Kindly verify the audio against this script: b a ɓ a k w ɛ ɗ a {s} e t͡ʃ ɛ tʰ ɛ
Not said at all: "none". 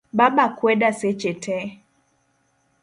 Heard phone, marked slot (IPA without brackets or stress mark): s